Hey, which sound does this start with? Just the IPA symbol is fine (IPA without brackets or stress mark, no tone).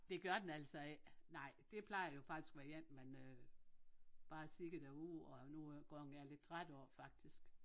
d̥